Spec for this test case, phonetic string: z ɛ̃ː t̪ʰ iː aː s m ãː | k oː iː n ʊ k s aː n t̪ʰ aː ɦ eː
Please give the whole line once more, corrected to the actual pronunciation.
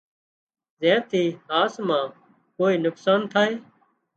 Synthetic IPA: z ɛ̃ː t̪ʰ iː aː s m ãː | k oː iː n ʊ k s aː n t̪ʰ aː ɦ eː